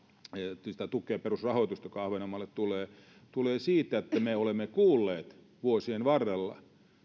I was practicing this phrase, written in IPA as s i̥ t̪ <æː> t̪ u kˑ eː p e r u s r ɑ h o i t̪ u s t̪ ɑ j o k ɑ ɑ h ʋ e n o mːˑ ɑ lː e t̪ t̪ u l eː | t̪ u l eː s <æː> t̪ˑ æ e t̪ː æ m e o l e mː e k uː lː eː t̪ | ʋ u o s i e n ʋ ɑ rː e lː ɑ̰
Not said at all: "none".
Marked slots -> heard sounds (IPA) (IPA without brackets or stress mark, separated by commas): æ, iː